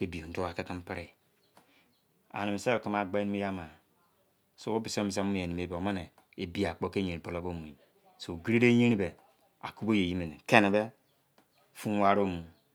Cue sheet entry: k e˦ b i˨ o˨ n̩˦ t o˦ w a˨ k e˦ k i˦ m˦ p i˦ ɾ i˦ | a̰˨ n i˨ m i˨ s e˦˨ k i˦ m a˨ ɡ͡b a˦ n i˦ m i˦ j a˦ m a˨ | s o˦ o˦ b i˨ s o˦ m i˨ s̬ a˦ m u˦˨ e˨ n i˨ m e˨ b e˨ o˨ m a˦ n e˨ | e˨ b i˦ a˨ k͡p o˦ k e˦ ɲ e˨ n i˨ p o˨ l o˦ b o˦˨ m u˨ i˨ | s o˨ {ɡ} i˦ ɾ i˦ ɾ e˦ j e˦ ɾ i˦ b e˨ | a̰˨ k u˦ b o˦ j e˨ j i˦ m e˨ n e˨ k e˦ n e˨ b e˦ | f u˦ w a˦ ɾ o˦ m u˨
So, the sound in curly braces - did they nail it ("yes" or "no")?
yes